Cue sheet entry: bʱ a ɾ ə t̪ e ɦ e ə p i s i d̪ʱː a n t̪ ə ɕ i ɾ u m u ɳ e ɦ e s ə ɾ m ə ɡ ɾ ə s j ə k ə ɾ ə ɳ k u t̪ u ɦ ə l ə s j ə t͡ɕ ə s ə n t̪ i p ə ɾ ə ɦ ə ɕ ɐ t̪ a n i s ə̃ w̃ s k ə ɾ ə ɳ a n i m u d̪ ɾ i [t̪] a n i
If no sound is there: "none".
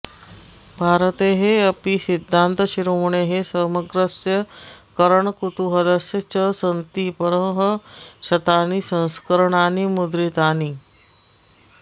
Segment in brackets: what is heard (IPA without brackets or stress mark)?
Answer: t̪